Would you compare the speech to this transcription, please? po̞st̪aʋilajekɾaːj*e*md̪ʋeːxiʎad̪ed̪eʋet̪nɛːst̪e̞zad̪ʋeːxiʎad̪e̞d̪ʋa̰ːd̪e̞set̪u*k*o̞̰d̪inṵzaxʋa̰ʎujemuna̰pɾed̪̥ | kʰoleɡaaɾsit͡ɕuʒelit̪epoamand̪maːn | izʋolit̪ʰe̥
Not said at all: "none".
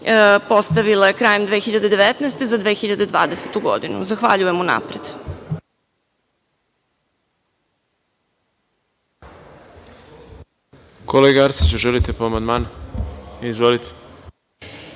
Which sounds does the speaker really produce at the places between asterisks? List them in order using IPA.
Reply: e, ɡ

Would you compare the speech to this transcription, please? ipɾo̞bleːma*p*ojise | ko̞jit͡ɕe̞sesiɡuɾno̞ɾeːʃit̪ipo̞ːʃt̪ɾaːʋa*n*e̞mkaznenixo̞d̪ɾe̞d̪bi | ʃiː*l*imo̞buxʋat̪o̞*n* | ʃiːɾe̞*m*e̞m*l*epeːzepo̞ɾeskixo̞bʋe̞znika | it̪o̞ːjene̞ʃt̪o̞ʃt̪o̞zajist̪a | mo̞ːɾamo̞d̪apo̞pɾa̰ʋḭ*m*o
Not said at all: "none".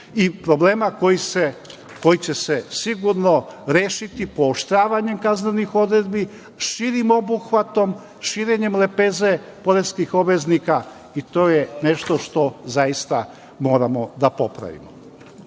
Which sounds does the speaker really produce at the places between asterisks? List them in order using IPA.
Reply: k, ɲ, ɾ, m, ɲ, l, m

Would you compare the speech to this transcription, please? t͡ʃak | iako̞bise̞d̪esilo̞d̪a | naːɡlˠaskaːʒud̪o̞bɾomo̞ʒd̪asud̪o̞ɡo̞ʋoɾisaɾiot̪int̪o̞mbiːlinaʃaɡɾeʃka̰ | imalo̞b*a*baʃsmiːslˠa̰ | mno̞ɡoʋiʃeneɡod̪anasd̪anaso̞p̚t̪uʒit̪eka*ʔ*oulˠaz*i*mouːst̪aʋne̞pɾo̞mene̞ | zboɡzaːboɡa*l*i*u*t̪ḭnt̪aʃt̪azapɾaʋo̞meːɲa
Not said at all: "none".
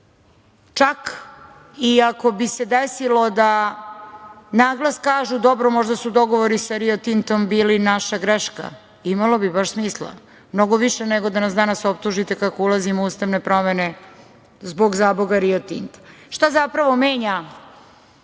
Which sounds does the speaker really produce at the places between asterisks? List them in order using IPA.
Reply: i, k, i, ɾ, o

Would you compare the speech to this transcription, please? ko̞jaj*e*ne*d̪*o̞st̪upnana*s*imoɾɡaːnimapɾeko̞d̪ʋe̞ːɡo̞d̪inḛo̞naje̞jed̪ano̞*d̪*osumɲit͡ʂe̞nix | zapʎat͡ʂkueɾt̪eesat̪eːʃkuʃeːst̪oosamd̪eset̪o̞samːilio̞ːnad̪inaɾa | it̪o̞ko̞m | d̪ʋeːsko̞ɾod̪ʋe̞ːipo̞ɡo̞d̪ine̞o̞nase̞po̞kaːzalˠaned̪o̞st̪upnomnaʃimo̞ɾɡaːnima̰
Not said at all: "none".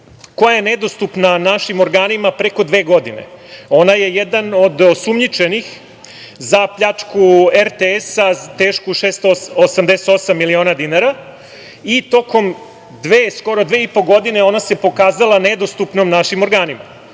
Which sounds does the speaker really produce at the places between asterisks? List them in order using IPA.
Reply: e, d̪, ʃ, d̪

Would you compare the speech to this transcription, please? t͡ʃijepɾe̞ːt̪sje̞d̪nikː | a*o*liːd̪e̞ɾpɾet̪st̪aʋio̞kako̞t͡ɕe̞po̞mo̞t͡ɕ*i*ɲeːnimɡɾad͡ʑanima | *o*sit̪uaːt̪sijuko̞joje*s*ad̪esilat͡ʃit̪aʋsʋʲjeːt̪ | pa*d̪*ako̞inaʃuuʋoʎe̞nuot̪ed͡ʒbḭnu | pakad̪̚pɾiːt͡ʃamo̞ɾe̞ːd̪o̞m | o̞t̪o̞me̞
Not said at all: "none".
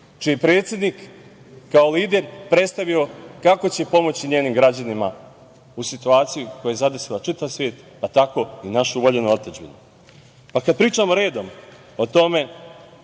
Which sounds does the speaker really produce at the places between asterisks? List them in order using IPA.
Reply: o, i, u, z, t̪

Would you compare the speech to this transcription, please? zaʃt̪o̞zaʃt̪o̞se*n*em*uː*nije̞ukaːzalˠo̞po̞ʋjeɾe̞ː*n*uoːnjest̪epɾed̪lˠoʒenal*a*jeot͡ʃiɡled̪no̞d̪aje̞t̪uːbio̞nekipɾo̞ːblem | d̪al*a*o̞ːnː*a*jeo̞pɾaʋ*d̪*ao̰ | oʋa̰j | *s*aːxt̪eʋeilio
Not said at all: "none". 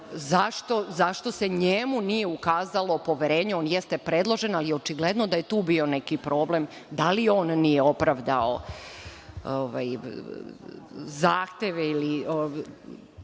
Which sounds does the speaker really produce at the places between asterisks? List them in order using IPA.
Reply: ɲ, u, ɲ, i, i, i, d̪, z

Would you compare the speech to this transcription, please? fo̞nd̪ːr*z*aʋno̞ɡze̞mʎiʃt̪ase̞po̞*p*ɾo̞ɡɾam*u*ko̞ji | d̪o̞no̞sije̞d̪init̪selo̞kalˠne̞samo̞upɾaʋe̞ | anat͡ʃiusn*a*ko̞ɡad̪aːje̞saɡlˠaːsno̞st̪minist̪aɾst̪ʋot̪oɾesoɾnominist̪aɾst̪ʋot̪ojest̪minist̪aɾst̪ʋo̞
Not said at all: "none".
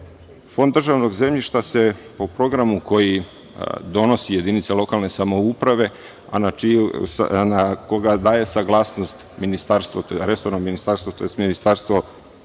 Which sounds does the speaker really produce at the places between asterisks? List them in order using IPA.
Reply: ʒ, p, u, a

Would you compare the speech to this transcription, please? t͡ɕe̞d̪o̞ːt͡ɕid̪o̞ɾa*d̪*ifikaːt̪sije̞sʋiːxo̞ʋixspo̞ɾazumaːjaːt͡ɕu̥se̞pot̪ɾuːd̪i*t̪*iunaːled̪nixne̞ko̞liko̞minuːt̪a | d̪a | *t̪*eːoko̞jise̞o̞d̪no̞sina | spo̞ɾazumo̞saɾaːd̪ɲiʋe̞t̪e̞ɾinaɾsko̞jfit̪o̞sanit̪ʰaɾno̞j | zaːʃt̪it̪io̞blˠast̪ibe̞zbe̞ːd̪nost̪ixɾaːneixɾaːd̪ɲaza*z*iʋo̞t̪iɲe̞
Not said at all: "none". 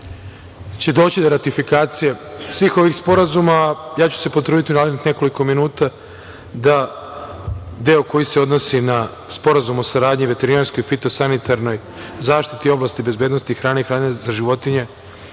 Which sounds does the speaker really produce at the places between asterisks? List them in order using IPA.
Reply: t̪, t̪, d̪, ʒ

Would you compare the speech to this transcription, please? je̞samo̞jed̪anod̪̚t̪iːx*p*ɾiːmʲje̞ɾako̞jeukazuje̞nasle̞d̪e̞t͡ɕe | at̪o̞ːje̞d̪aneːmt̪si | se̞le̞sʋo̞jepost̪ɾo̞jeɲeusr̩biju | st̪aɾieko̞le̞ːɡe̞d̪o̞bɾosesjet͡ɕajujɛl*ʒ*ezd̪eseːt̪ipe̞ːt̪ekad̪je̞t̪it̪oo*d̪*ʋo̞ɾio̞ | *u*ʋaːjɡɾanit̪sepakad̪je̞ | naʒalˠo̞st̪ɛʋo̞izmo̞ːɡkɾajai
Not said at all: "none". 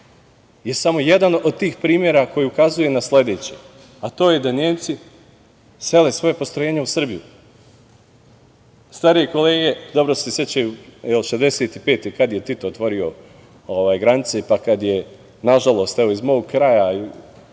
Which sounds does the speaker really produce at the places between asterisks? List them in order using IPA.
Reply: p, ʃ, t̪, o

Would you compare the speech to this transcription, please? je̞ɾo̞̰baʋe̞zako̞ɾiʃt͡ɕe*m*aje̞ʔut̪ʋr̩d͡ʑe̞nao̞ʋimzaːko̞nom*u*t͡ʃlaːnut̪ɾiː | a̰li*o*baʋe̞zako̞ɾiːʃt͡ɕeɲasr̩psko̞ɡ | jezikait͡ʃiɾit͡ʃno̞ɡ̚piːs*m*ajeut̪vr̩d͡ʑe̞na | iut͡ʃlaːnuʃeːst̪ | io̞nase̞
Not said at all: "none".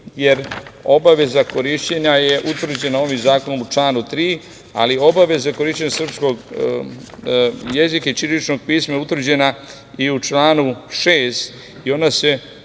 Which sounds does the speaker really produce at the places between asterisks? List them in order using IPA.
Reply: ɲ, u, o, m

